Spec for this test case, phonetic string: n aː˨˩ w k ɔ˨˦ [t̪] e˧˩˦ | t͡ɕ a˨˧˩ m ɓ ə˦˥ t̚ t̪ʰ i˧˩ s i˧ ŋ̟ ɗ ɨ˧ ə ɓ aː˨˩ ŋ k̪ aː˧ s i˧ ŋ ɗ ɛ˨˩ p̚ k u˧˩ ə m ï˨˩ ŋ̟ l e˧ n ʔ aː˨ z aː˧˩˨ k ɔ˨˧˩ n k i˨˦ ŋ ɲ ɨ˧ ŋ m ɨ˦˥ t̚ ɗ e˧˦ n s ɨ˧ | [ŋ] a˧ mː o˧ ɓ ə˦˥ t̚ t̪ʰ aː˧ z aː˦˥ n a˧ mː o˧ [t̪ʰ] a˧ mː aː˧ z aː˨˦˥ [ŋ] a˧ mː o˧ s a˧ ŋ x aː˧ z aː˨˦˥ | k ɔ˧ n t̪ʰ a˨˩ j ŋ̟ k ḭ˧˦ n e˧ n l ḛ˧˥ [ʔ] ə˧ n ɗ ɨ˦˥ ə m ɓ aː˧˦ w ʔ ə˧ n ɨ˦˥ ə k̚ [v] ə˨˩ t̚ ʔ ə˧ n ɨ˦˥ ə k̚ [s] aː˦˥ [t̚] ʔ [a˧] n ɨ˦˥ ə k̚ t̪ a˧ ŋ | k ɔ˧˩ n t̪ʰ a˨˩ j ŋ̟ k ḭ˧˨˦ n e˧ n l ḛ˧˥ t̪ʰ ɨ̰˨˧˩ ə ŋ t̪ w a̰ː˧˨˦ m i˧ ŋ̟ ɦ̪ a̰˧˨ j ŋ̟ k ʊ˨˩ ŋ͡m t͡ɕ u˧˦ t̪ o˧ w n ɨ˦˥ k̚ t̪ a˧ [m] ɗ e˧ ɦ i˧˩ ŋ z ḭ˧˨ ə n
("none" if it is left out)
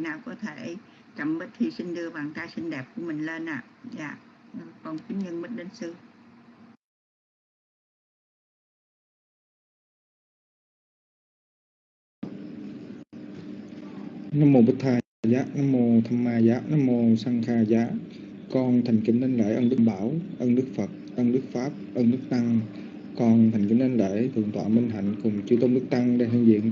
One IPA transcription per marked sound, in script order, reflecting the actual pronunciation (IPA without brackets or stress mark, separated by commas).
t̪ʰ, n, t̪ʰ, n, ʔ, f, f, p̚, ə˧, ŋ